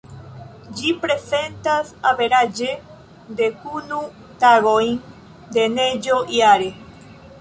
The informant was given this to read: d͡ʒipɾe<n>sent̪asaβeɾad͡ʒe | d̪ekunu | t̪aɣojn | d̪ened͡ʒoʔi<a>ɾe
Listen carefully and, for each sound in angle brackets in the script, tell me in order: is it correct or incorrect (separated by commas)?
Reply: incorrect, correct